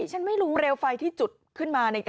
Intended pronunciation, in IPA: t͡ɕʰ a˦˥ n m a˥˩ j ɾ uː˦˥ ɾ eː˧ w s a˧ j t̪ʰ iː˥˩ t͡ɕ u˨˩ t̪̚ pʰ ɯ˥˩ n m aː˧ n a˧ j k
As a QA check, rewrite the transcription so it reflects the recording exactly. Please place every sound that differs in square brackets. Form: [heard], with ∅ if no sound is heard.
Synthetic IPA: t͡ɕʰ a˦˥ n m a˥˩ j ɾ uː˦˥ ɾ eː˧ w [f] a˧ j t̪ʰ iː˥˩ t͡ɕ u˨˩ t̪̚ [kʰ] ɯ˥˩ n m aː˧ n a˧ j k